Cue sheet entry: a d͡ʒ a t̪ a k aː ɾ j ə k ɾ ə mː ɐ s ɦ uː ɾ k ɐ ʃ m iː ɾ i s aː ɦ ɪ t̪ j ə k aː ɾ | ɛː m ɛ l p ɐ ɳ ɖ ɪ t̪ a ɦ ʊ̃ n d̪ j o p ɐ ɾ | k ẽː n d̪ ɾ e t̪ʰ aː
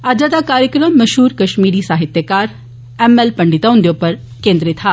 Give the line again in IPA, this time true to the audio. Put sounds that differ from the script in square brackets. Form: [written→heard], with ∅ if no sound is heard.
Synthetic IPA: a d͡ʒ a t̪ a k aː ɾ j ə k ɾ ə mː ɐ [s→ʃ] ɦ uː ɾ k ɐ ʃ m iː ɾ i s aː ɦ ɪ t̪ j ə k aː ɾ | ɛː m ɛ l p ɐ ɳ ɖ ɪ t̪ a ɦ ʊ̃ n d̪ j o p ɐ ɾ | k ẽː n d̪ ɾ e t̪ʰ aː